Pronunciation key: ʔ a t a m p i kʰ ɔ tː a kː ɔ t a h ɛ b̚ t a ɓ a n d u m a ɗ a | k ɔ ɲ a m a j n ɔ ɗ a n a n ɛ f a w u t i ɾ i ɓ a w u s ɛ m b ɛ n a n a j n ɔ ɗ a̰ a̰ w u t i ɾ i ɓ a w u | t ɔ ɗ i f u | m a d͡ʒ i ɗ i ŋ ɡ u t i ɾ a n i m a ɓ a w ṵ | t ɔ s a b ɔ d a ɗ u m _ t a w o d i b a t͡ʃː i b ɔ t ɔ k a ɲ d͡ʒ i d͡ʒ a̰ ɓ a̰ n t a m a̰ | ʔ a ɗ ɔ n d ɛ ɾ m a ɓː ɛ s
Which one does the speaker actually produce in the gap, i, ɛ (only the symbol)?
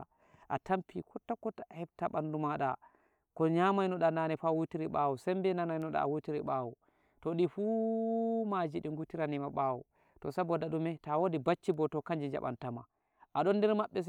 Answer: ɛ